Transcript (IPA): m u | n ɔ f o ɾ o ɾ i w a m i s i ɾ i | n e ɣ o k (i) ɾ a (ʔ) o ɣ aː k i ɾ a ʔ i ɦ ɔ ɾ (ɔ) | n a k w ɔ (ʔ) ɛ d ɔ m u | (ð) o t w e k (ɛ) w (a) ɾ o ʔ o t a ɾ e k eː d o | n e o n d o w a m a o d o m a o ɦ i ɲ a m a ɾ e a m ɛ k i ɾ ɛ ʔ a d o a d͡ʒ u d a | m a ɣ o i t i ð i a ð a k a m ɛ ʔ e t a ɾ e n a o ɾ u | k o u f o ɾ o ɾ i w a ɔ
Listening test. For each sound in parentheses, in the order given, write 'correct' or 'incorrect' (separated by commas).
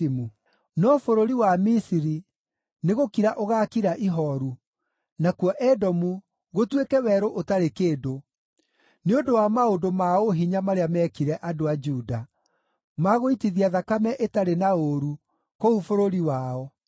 correct, correct, incorrect, correct, incorrect, correct, incorrect